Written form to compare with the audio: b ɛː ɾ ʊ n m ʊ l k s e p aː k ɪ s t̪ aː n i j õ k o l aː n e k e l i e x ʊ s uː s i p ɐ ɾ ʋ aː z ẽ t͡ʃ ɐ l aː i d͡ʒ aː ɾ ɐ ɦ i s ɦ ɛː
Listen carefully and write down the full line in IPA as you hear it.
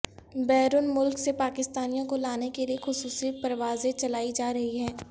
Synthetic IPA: b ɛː ɾ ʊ n m ʊ l k s e p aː k ɪ s t̪ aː n i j õ k o l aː n e k e l i e x ʊ s uː s i p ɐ ɾ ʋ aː z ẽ t͡ʃ ɐ l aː i d͡ʒ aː ɾ ɐ ɦ i ɦ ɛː

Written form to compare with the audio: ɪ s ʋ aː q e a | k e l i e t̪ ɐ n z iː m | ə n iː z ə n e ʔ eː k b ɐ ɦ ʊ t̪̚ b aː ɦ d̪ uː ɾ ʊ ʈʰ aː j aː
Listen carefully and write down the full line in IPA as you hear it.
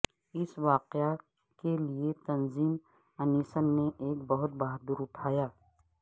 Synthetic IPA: ɪ s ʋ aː q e a | k e l i e t̪ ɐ n z iː m | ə n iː s ə nː e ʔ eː k b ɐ ɦ ʊ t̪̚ b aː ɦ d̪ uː ɾ ʊ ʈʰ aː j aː

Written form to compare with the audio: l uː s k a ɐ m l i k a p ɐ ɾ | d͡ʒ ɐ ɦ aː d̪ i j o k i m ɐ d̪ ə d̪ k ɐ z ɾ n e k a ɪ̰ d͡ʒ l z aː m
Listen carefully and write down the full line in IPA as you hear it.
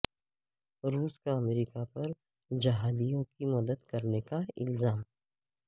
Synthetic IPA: ɾ uː s k a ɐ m ɾ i k a p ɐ ɾ | d͡ʒ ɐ ɦ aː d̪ i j õ k i m ɐ d̪ ə d̪ k ɐ ɾ n e k a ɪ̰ l z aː m

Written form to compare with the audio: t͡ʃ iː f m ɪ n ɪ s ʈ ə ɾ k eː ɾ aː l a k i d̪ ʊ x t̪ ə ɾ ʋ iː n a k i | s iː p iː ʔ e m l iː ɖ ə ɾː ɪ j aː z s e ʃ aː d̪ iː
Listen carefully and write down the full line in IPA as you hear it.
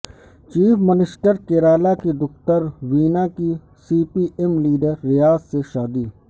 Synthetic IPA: t͡ʃ iː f m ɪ n ɪ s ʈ ə ɾ k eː ɾ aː l a k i d̪ ʊ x t̪ ə ɾ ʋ iː n a k i | s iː p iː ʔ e m l iː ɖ ə ɾː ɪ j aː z s e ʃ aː d̪ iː

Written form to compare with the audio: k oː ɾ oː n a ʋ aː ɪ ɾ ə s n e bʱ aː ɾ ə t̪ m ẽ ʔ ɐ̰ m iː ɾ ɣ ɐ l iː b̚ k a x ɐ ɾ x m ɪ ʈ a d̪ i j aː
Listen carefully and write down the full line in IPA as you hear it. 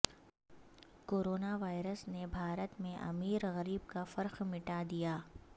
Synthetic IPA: k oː ɾ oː n a ʋ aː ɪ ɾ ə s n e bʱ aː ɾ ə t̪ m ẽ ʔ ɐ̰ m iː ɾ ɣ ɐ ɾ iː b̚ k a f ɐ ɾ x m ɪ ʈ a d̪ i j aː

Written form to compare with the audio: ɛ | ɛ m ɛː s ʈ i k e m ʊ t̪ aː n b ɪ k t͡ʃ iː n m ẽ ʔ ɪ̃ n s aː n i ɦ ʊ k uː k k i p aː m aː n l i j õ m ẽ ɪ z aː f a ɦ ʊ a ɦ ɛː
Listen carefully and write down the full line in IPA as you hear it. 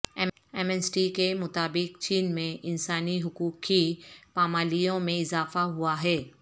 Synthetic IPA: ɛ | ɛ m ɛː s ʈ i k e m ʊ t̪ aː b ɪ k t͡ʃ iː n m ẽ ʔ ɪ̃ n s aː n i ɦ ʊ k uː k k i p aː m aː l i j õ m ẽ ɪ z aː f a ɦ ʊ a ɦ ɛː

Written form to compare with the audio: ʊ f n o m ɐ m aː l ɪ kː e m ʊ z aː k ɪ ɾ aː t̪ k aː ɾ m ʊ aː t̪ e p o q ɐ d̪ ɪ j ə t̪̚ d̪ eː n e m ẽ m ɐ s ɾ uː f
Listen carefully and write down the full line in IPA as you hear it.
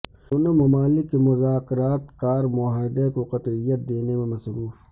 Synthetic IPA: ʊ n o m ɐ m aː l ɪ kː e m ʊ z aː k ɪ ɾ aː t̪ k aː ɾ m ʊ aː d̪ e k o q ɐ t̪ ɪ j ə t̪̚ d̪ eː n e m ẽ m ɐ s ɾ uː f

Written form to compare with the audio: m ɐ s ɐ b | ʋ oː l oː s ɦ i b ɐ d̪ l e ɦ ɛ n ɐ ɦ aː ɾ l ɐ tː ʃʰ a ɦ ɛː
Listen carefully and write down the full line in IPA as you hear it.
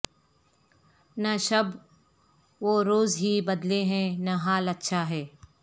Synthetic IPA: n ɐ ʃ ɐ b | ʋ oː ɾ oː z ɦ i b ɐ d̪ l e ɦ ɛ̃ n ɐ ɦ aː l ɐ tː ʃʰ a ɦ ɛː

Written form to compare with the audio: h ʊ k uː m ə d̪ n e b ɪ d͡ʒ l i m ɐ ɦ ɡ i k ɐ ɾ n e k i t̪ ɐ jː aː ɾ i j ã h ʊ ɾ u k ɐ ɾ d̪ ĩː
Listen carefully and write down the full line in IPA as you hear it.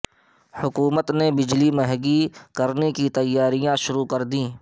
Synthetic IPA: h ʊ k uː m ə t̪ n e b ɪ d͡ʒ l i m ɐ ɦ ɡ i k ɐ ɾ n e k i t̪ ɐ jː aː ɾ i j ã ʃ ʊ ɾ u k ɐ ɾ d̪ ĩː

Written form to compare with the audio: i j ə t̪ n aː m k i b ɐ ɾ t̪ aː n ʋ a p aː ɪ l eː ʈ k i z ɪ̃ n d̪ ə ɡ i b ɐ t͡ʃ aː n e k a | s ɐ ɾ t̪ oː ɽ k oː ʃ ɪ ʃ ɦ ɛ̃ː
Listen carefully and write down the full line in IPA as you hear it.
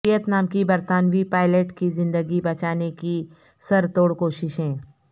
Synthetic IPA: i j ə t̪ n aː m k i b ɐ ɾ t̪ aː n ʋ i p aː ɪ l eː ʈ k i z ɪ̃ n d̪ ə ɡ i b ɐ t͡ʃ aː n e k i | s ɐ ɾ t̪ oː ɽ k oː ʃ ɪ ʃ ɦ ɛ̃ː

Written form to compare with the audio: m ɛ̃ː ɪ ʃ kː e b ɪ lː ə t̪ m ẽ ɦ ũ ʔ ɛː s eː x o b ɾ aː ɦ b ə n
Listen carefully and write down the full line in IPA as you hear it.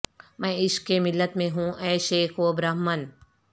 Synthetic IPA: m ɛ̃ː ɪ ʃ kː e m ɪ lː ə t̪ m ẽ ɦ ũ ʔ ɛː ʃ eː x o b ɾ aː ɦ m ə n

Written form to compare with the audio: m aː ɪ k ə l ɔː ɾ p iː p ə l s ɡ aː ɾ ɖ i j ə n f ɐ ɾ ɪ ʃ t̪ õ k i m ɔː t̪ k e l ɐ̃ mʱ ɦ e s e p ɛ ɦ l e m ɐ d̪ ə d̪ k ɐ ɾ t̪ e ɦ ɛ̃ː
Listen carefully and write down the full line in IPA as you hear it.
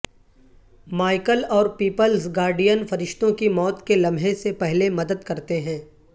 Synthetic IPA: m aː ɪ k ə l ɔː ɾ p iː p ə l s ɡ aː ɾ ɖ i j ə n f ɐ ɾ ɪ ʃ t̪ õ k i m ɔː t̪ k e l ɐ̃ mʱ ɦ e s e p ɛ ɦ l e m ɐ d̪ ə d̪ k ɐ ɾ t̪ e ɦ ɛ̃ː

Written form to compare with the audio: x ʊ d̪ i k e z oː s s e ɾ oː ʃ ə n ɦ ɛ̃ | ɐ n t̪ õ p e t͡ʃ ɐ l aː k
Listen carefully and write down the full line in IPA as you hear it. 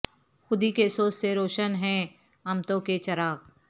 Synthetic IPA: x ʊ d̪ i k e s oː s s e ɾ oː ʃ ə n ɦ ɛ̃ | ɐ m t̪ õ k e t͡ʃ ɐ ɾ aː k

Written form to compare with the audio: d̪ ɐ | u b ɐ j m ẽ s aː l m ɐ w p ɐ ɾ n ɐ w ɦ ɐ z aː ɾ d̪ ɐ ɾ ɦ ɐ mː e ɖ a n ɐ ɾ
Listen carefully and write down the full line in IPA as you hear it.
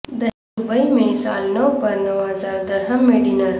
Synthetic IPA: d̪ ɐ | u b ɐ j m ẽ s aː l n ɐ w p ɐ ɾ n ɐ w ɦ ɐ z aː ɾ d̪ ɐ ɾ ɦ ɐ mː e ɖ i n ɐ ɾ

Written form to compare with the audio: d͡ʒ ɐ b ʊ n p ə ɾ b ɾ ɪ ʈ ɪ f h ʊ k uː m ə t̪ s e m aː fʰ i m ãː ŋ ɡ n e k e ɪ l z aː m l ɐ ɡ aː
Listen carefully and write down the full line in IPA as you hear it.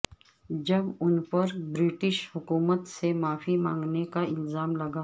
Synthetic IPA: d͡ʒ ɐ b ʊ n p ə ɾ b ɾ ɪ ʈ ɪ ʃ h ʊ k uː m ə t̪ s e m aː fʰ i m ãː ŋ ɡ n e k a ɪ l z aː m l ɐ ɡ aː

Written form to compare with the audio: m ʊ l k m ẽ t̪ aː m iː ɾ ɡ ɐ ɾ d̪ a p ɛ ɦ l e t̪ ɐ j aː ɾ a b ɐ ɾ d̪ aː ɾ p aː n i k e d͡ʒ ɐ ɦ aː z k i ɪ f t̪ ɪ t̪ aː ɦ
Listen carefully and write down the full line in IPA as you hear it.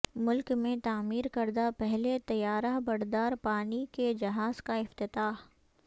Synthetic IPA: m ʊ l k m ẽ t̪ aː m iː ɾ k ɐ ɾ d̪ a p ɛ ɦ l e t̪ ɐ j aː ɾ a b ɐ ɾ d̪ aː ɾ p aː n i k e d͡ʒ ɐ ɦ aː z k a ɪ f t̪ ɪ t̪ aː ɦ

